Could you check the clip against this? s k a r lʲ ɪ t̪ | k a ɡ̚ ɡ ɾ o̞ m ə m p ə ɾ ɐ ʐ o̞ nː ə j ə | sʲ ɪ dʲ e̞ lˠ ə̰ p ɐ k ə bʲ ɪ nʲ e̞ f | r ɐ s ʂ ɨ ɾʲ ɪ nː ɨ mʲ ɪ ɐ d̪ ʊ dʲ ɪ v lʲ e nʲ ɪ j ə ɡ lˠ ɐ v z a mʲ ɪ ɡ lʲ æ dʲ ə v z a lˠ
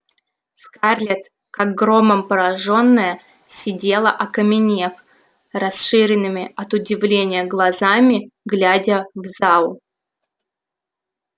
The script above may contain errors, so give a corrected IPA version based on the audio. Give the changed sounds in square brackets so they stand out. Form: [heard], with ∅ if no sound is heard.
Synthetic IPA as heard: s k a r lʲ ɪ t̪ | k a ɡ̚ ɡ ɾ o̞ m ə m p ə ɾ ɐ ʐ o̞ nː ə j ə | sʲ ɪ dʲ e̞ lˠ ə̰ [ʔ] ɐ k ə [mʲ] ɪ nʲ e̞ f | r ɐ s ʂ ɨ ɾʲ ɪ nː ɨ mʲ ɪ ɐ [t̪] ʊ dʲ ɪ v lʲ e nʲ ɪ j ə ɡ lˠ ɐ [∅] z a mʲ ɪ ɡ lʲ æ dʲ ə v z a lˠ